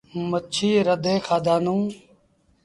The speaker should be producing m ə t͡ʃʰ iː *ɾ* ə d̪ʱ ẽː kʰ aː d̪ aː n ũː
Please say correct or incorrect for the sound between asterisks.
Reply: correct